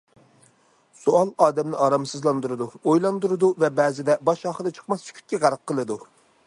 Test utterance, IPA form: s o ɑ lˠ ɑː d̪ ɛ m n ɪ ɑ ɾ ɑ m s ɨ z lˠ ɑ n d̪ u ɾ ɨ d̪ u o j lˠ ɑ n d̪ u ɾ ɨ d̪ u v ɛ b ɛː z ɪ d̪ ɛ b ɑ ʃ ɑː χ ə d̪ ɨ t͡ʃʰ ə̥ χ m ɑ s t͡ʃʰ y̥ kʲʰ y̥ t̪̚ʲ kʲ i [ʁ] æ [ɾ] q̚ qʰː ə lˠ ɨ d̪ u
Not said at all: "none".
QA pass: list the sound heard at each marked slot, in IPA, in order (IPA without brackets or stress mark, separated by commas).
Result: ʁ, ɾ